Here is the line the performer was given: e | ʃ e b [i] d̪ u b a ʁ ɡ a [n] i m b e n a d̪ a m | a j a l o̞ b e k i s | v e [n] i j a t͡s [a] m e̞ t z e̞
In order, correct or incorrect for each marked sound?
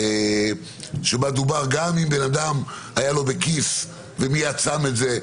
incorrect: a, incorrect: m, incorrect: m, correct

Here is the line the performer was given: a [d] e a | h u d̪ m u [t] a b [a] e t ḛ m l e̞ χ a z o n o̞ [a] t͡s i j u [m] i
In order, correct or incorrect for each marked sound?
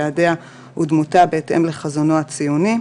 correct, correct, incorrect: e, correct, incorrect: n

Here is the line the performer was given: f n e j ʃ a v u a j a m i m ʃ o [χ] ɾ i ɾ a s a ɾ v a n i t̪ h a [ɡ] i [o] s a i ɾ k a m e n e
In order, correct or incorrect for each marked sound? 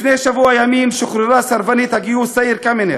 correct, correct, incorrect: u

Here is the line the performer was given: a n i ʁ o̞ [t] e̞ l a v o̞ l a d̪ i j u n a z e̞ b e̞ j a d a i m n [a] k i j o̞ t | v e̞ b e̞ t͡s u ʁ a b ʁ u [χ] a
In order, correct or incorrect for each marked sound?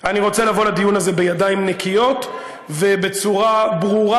incorrect: t͡s, incorrect: e, incorrect: ʁ

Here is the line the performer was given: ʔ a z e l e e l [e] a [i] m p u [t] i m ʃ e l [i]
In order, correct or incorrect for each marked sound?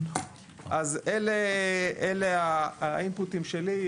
correct, correct, correct, correct

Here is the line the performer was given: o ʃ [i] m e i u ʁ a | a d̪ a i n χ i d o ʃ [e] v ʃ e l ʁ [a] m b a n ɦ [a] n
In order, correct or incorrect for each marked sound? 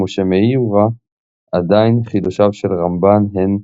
incorrect: e, incorrect: a, correct, incorrect: e

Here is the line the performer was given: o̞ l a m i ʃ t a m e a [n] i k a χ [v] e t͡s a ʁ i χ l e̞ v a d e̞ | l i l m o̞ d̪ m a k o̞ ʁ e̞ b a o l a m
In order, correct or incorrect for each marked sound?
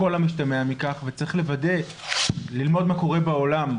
incorrect: m, correct

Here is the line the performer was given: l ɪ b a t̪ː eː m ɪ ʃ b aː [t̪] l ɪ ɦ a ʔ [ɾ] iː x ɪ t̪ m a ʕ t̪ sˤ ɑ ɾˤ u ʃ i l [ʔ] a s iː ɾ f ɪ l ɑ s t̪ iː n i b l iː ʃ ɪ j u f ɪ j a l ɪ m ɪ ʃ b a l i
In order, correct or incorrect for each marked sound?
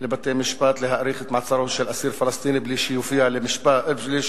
correct, correct, correct

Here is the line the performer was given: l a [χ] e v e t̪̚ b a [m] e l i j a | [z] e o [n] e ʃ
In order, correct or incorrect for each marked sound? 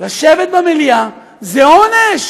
incorrect: ʃ, correct, correct, correct

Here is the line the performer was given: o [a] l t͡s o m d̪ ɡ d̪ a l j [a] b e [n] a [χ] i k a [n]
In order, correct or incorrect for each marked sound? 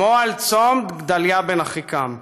correct, correct, correct, correct, incorrect: m

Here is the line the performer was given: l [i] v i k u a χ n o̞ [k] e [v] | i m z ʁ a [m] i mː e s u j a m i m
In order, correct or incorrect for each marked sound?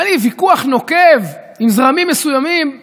correct, correct, correct, correct

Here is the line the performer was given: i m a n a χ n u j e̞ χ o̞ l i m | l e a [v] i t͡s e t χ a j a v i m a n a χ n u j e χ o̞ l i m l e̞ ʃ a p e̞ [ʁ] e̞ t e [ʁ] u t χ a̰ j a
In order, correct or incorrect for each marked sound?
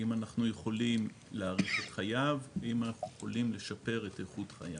incorrect: ʁ, correct, incorrect: χ

